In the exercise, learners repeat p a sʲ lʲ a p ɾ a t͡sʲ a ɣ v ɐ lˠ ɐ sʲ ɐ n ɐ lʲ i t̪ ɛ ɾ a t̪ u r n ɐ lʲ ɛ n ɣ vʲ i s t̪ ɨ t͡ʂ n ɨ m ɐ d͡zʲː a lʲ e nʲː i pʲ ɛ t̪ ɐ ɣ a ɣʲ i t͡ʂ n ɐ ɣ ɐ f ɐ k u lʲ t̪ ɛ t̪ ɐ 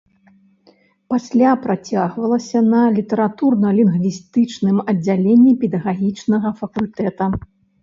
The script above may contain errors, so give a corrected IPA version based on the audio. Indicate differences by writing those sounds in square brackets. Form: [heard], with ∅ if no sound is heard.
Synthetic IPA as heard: p a sʲ lʲ a p ɾ a t͡sʲ a ɣ v ɐ lˠ ɐ sʲ ɐ n ɐ lʲ i t̪ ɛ ɾ a t̪ u r n ɐ lʲ [i] n ɣ vʲ i s t̪ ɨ t͡ʂ n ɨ m ɐ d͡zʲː a lʲ e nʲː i pʲ ɛ [d̪] ɐ ɣ a ɣʲ i t͡ʂ n ɐ ɣ ɐ f ɐ k u lʲ t̪ ɛ t̪ ɐ